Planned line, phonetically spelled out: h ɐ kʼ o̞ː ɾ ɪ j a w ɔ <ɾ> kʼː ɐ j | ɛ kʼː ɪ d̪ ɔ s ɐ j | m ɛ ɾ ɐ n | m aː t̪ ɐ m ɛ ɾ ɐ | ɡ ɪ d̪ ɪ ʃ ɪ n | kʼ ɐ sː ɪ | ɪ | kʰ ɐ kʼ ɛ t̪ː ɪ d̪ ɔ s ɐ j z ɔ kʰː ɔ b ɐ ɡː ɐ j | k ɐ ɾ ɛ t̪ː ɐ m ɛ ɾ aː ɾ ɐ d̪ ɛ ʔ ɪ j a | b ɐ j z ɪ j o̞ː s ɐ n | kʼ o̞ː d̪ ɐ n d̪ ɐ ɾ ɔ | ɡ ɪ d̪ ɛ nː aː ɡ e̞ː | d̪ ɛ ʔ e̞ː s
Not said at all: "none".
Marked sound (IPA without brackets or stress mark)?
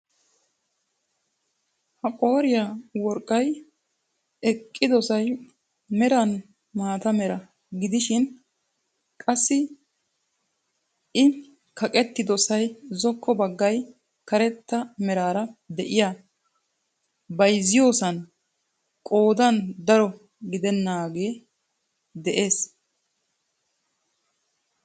ɾ